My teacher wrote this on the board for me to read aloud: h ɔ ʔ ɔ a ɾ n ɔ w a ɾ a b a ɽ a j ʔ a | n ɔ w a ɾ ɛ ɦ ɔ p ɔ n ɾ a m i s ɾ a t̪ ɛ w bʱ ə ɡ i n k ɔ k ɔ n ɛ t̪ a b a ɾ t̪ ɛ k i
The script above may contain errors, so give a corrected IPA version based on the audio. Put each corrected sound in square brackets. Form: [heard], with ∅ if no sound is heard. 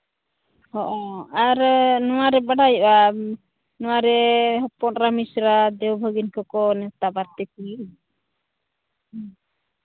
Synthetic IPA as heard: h ɔ ʔ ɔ a ɾ n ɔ w a ɾ [ɛ] b a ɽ a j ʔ a | n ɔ w a ɾ ɛ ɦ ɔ p ɔ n ɾ a m i s ɾ a [d̪] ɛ w bʱ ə ɡ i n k ɔ k ɔ n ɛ t̪ a b a ɾ t̪ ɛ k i

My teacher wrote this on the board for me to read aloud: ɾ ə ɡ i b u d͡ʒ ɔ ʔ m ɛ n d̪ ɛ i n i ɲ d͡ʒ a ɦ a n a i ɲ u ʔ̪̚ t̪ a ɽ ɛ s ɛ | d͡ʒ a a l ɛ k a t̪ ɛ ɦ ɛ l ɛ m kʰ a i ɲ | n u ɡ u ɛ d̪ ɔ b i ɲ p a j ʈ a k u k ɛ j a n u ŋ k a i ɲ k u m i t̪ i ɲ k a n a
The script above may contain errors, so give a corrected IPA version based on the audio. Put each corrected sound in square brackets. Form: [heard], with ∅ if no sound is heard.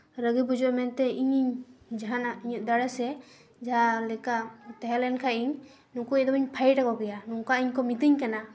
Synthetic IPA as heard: ɾ ə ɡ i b u d͡ʒ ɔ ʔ m ɛ n [t̪] ɛ i [ɲ] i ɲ d͡ʒ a ɦ a n a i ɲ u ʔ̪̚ [d̪] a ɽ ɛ s ɛ | d͡ʒ a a l ɛ k a t̪ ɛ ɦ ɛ l ɛ [n] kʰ a i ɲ | n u [k] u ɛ d̪ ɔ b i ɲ [pʰ] a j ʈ a k [ɔ] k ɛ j a n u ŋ k a i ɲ k [ɔ] m i t̪ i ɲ k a n a

